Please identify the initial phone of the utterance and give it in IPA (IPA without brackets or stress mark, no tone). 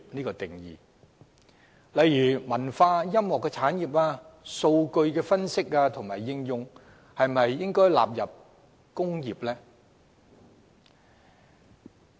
n